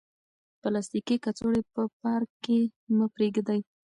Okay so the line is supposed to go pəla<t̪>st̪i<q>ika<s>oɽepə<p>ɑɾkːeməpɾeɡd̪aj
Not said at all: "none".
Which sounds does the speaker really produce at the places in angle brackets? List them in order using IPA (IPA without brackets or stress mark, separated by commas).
none, k, t͡s, p